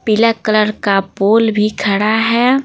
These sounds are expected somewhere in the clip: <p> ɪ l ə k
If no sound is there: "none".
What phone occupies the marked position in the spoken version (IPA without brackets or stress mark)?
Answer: p